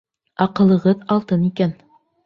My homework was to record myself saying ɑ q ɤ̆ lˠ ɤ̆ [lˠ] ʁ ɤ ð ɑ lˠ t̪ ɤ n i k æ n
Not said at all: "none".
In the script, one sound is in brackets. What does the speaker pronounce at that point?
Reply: none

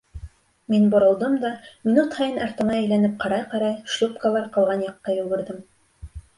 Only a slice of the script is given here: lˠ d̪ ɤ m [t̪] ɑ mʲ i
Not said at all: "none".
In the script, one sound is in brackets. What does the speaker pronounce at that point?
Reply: d̪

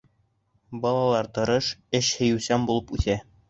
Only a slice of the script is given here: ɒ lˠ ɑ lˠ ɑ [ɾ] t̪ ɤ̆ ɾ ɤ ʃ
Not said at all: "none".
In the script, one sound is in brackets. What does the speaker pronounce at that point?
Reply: ɾ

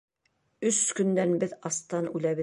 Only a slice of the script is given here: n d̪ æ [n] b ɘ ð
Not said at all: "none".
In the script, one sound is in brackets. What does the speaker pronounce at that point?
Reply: n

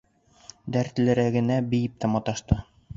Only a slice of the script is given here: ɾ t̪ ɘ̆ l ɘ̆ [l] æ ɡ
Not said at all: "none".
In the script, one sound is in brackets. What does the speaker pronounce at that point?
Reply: ɾ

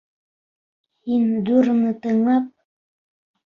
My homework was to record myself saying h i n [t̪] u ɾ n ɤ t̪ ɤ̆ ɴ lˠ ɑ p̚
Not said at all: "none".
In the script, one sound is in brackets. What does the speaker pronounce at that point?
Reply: d̪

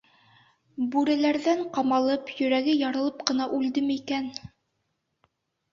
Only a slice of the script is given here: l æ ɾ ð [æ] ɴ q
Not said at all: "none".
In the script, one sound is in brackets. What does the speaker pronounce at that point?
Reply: æ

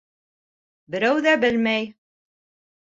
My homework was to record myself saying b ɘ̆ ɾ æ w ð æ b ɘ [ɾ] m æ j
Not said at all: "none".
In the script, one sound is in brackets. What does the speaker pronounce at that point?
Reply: l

